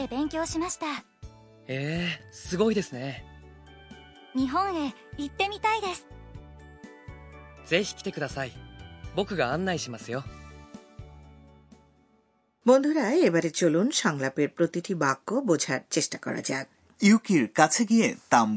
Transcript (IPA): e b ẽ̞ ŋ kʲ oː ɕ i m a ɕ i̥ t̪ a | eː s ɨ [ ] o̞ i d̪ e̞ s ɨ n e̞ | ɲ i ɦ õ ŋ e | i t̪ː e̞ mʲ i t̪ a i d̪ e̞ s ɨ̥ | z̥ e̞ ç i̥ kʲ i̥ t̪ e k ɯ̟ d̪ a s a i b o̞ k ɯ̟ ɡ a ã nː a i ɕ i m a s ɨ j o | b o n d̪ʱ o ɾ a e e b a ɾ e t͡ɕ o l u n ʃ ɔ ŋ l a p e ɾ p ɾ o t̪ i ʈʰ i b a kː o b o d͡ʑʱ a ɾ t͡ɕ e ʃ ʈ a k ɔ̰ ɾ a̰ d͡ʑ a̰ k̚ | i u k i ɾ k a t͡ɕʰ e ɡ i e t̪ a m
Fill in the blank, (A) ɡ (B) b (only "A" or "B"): A